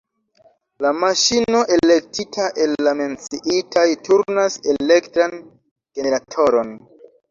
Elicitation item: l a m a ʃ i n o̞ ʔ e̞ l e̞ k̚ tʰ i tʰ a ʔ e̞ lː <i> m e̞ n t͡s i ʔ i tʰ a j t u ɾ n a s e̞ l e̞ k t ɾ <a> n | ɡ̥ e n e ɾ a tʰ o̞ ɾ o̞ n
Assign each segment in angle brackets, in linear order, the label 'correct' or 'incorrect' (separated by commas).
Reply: incorrect, correct